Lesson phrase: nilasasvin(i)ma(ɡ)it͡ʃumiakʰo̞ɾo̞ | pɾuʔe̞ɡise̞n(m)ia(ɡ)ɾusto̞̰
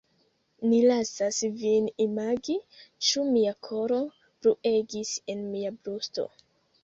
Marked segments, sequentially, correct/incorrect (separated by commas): correct, correct, correct, incorrect